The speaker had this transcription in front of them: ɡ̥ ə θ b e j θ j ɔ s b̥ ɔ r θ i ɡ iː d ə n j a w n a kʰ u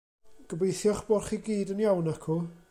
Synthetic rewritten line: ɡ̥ ə b e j θ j ɔ χ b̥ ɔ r χ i ɡ iː d ə n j a w n a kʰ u